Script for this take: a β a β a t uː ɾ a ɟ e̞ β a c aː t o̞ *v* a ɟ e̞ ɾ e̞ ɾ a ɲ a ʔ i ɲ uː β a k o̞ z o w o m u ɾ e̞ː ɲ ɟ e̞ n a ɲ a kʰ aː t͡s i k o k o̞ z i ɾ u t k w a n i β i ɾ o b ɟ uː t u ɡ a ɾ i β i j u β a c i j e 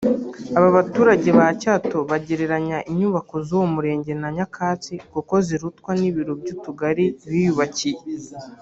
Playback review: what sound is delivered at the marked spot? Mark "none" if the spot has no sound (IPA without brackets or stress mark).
β